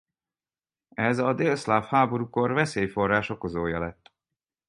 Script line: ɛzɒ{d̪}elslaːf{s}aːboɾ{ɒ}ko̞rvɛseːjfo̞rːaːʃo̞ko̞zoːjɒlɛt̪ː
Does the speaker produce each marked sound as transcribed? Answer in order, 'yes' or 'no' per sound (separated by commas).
yes, no, no